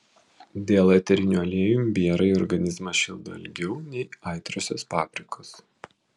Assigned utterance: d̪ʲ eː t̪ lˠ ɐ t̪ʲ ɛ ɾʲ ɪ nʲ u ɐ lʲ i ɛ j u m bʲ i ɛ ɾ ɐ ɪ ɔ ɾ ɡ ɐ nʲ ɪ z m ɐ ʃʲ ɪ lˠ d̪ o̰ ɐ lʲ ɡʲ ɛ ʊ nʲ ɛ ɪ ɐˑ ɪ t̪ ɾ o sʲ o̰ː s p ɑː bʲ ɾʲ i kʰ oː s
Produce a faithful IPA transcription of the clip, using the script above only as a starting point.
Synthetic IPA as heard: d̪ʲ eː lˠ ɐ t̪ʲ ɛ ɾʲ ɪ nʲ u ɐ lʲ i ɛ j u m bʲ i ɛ ɾ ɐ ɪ ɔ ɾ ɡ ɐ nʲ ɪ z m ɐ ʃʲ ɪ lˠ d̪ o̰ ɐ lʲ ɡʲ ɛ ʊ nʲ ɛ ɪ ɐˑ ɪ t̪ ɾ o sʲ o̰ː s p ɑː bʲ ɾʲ ɪ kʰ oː s